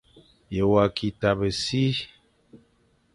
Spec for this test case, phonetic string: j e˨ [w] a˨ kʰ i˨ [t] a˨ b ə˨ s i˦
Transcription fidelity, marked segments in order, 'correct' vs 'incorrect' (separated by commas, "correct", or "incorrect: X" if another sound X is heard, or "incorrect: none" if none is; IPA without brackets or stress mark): correct, correct